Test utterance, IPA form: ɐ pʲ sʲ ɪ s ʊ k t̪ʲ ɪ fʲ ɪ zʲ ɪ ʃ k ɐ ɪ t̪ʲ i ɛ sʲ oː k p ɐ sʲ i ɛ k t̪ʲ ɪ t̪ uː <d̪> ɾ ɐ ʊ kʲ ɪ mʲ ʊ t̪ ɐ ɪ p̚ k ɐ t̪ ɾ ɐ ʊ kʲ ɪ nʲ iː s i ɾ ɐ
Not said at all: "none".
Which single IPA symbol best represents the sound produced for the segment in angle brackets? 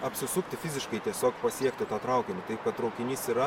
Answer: t̪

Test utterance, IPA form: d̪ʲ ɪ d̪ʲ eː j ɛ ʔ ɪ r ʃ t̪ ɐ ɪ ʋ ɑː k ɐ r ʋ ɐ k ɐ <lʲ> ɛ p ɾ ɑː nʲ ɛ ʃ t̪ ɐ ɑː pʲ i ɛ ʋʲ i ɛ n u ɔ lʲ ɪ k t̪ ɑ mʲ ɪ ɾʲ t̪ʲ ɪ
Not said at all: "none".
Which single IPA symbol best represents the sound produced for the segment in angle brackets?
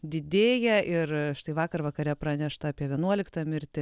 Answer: ɾʲ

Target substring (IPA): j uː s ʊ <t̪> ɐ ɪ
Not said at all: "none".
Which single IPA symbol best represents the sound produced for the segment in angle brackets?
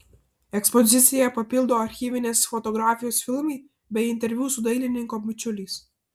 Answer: d̪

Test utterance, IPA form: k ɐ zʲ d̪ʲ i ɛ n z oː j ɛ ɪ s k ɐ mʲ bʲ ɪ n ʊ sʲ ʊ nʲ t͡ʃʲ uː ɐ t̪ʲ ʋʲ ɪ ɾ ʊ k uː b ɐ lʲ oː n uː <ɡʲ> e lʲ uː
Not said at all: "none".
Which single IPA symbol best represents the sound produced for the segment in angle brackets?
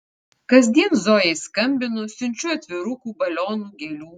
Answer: ɡʲ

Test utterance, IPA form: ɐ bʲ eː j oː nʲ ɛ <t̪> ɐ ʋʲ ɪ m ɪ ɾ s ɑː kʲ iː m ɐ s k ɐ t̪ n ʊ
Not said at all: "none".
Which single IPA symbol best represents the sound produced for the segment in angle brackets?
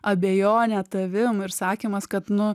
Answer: t̪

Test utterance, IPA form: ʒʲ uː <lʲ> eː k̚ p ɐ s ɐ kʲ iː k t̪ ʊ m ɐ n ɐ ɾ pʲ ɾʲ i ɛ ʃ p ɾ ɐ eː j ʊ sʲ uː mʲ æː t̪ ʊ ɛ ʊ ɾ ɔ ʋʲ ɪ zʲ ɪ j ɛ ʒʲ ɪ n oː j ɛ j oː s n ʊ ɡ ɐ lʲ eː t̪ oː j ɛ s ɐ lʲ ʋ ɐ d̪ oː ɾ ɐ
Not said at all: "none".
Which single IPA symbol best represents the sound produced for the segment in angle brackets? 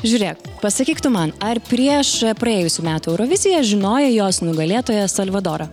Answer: ɾʲ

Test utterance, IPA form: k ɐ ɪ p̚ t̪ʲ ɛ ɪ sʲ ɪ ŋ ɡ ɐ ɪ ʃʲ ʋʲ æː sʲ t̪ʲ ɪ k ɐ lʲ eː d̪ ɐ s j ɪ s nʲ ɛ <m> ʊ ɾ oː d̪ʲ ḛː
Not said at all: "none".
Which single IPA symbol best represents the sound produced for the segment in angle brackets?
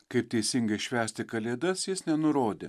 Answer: n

